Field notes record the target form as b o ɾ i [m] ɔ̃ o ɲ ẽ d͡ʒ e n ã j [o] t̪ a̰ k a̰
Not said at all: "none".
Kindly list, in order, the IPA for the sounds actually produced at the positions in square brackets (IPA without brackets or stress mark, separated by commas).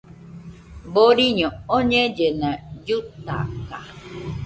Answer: ɲ, u